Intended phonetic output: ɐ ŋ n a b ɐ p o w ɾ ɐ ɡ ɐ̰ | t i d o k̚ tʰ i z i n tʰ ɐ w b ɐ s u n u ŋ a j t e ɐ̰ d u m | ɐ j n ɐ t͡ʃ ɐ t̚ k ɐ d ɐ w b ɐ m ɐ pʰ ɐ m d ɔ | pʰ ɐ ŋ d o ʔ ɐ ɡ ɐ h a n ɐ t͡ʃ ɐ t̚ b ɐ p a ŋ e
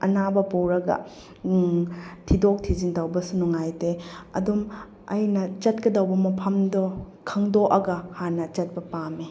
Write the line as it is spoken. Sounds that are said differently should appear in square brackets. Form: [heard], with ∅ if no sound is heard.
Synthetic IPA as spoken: ɐ [∅] n a b ɐ p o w ɾ ɐ ɡ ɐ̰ | [tʰ] i d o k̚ tʰ i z i n [t] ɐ w b ɐ s u n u ŋ a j t e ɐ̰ d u m | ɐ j n ɐ t͡ʃ ɐ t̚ k ɐ d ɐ w b ɐ m ɐ pʰ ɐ m d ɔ | [kʰ] ɐ ŋ d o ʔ ɐ ɡ ɐ h a n ɐ t͡ʃ ɐ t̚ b ɐ p a [m] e